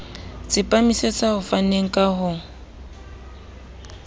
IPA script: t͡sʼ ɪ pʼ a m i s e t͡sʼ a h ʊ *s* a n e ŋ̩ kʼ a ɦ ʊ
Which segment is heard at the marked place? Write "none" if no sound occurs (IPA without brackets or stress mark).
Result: f